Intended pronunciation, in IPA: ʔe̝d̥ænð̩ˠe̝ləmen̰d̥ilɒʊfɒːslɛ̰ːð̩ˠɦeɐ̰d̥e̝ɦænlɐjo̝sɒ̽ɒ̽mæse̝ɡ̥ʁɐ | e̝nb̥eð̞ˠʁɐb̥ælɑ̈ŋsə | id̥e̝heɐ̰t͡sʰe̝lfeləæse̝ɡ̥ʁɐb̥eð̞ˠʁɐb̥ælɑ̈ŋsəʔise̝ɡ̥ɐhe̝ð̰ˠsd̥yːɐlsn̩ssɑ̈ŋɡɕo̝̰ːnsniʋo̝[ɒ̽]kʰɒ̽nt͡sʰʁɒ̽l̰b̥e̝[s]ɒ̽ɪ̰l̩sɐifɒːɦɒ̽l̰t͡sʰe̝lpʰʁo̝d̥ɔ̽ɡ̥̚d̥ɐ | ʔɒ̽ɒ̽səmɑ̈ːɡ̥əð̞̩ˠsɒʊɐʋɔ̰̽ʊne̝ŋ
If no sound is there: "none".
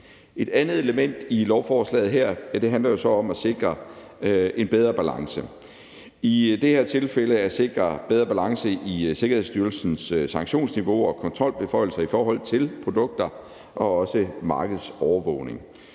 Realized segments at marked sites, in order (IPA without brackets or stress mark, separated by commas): ɒ̽, f